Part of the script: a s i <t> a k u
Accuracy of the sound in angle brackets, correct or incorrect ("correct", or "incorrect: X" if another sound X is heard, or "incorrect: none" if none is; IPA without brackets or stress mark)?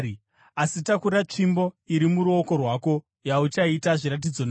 correct